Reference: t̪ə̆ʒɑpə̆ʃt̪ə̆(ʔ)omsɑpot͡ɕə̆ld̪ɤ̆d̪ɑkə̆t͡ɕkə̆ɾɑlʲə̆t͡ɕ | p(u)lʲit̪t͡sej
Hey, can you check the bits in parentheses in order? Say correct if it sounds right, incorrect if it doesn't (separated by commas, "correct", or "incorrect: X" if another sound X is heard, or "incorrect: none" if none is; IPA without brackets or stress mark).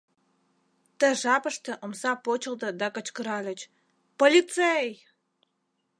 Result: correct, incorrect: o